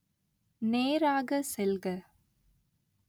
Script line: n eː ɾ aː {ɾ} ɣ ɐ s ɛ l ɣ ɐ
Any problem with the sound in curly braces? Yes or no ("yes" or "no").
yes